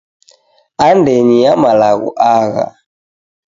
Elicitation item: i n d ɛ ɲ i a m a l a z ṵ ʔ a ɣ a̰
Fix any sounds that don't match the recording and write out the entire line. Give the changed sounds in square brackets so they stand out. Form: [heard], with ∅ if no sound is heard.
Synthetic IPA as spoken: [a] n d ɛ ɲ i a m a l a [ɣ] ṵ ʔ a ɣ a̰